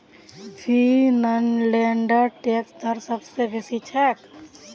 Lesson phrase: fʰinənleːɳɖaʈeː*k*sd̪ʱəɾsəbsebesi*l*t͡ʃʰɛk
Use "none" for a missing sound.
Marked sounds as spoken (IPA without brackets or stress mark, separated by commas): k, none